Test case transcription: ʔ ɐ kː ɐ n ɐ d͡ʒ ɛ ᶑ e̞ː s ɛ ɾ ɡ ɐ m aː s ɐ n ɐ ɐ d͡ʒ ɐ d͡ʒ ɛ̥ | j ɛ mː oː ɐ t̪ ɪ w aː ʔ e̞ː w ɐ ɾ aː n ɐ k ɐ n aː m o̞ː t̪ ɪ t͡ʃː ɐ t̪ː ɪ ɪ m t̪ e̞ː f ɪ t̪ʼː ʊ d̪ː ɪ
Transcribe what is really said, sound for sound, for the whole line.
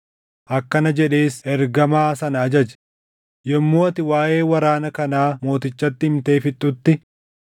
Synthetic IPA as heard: ʔ ɐ kː ɐ n ɐ d͡ʒ ɛ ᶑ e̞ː s ɛ ɾ ɡ ɐ m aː s ɐ n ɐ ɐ d͡ʒ ɐ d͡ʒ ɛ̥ | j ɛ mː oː ɐ t̪ ɪ w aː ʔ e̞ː w ɐ ɾ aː n ɐ k ɐ n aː m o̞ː t̪ ɪ t͡ʃː ɐ t̪ː ɪ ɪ m t̪ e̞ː f ɪ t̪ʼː ʊ t̪ː ɪ